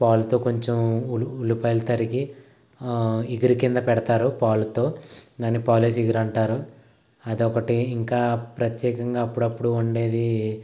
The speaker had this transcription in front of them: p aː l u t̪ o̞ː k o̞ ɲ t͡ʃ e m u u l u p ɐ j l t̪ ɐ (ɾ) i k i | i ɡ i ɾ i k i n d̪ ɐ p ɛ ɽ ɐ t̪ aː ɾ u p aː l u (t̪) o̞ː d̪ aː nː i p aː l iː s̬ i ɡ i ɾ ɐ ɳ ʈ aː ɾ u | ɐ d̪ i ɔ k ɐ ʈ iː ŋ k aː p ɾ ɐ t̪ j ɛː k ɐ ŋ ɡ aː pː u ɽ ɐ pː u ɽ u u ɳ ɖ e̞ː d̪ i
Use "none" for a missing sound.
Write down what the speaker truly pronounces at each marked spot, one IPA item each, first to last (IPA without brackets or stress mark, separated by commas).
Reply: ɾ, t̪